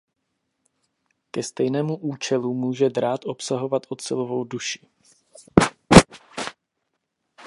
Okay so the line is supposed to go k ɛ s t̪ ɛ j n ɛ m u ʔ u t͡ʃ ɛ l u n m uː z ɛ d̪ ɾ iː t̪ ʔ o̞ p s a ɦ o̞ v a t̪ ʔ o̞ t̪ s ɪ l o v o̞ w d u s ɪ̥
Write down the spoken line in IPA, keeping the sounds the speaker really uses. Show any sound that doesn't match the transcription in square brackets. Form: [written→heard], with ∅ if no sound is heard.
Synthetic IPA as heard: k ɛ s t̪ ɛ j n [ɛ→ɛː] m u ʔ [u→uː] t͡ʃ ɛ l u [n→∅] m uː [z→ʒ] ɛ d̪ ɾ [iː→aː] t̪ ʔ o̞ p s a ɦ o̞ v a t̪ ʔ o̞ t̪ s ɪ l o v o̞ w d u [s→ʃ] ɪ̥